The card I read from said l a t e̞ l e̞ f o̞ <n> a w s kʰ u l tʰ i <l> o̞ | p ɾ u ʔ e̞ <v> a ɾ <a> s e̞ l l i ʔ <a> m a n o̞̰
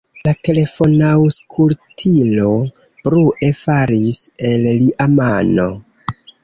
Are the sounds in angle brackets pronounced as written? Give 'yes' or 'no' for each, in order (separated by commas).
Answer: yes, yes, no, no, yes